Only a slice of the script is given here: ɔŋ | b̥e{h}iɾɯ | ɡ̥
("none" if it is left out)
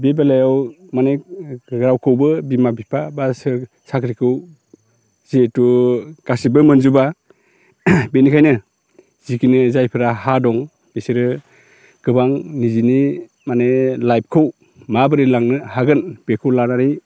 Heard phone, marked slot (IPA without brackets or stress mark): s